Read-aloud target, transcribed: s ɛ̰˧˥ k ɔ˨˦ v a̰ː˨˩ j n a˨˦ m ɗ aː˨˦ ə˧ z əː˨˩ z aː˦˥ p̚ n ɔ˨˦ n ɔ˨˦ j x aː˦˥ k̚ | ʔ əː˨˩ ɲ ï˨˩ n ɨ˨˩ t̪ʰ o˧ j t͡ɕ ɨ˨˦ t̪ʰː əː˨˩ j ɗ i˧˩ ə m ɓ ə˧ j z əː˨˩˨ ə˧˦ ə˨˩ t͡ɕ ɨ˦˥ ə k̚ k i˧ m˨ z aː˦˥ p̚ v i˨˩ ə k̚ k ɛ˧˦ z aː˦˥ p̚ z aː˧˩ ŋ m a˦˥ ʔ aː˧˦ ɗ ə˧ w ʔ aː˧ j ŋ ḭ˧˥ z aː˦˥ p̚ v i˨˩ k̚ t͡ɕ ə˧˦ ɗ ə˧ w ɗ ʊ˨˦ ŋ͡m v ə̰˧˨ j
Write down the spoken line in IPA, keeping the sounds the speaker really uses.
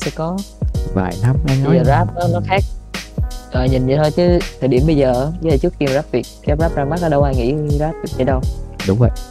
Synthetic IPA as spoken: s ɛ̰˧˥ k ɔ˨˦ v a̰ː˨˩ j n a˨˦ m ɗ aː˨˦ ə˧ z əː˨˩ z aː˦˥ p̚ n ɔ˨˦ n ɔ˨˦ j x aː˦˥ k̚ | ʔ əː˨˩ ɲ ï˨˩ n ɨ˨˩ t̪ʰ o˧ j t͡ɕ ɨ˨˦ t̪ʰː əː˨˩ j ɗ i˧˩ ə m ɓ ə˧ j z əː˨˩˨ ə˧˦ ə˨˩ t͡ɕ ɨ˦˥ ə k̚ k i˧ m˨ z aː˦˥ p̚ v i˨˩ ə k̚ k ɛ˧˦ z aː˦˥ p̚ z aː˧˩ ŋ m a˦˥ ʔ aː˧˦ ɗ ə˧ w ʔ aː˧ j ŋ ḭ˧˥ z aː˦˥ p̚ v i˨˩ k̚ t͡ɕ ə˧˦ ɗ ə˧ w ɗ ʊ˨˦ ŋ͡m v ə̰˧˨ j